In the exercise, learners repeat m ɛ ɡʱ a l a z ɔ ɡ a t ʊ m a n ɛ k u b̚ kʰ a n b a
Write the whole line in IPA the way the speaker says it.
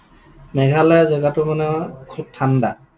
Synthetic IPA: m ɛ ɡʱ a l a z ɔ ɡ a t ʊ m a n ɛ kʰ u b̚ tʰ a n d a